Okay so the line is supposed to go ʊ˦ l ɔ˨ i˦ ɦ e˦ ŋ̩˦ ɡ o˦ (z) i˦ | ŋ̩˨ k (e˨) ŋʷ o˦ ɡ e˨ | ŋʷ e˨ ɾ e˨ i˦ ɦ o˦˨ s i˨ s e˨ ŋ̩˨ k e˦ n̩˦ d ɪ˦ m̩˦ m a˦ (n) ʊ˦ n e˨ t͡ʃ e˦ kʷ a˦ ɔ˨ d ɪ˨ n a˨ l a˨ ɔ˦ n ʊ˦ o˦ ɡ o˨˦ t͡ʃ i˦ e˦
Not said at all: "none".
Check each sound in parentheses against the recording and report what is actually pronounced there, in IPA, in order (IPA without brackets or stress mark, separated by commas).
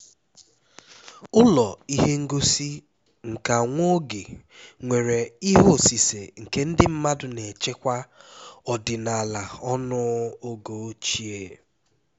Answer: s, a˨, d